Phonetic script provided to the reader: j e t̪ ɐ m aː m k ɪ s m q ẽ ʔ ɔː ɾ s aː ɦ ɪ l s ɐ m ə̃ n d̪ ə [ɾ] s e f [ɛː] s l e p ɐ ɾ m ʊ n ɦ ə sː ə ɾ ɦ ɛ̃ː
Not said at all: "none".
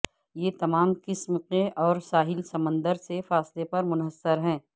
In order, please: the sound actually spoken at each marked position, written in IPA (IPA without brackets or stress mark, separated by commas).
ɾ, aː